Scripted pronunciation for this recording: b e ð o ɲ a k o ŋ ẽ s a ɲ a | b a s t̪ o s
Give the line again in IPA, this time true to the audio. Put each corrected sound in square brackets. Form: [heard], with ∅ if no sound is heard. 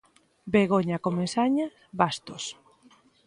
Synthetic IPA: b e [ɣ] o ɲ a k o [m] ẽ s a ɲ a | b a s t̪ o s